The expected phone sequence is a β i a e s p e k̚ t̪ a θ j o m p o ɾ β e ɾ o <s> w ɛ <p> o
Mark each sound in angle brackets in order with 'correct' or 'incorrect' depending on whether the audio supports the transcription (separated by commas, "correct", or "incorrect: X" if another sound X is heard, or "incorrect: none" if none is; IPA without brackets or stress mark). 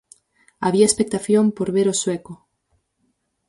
correct, incorrect: k